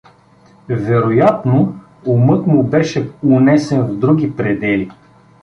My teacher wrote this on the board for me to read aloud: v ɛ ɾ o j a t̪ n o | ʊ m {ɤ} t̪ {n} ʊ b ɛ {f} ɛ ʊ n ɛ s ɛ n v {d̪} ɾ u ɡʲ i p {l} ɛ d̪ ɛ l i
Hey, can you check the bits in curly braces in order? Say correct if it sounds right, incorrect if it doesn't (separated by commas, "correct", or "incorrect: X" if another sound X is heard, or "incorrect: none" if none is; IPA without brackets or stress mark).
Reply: correct, incorrect: m, incorrect: ʃ, correct, incorrect: ɾ